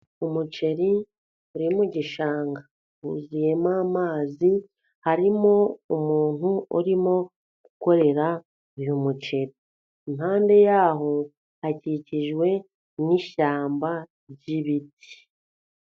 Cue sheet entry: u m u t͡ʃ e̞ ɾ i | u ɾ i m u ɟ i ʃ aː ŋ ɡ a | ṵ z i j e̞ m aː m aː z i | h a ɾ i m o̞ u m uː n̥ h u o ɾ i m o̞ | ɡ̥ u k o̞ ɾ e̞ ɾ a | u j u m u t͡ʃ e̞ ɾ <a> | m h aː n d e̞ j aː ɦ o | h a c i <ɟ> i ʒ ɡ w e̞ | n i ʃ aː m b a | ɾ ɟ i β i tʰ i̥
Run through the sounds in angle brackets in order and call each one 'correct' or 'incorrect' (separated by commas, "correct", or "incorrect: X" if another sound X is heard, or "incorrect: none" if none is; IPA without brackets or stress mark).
incorrect: i, incorrect: c